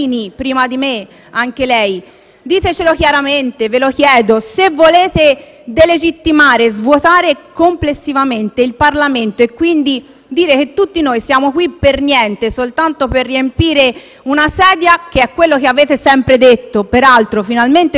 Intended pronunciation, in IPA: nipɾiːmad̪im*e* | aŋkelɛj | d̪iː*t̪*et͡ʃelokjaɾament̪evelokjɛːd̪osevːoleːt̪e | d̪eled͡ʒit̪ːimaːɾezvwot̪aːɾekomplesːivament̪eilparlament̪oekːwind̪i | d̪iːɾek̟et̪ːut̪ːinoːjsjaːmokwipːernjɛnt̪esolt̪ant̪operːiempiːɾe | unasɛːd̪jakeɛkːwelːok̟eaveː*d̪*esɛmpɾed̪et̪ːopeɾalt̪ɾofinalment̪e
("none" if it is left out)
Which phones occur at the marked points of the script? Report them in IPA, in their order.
e, t̪, t̪

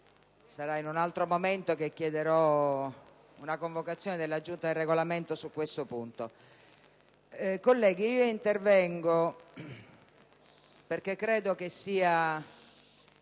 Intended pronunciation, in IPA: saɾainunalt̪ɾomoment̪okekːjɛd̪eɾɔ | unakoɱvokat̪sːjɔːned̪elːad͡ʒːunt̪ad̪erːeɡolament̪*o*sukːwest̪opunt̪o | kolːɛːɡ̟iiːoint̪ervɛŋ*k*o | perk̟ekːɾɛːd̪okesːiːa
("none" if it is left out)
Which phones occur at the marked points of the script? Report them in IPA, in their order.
o, ɡ

